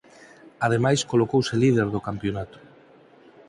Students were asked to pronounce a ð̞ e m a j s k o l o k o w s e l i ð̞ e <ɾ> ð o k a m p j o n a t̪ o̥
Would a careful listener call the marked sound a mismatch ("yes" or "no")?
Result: no